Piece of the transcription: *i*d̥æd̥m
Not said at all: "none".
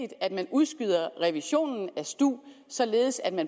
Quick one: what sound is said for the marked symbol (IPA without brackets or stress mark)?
i